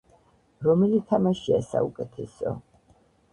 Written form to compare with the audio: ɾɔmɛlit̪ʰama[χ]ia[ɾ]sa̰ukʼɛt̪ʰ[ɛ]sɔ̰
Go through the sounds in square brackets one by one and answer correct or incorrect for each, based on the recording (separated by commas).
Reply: incorrect, incorrect, correct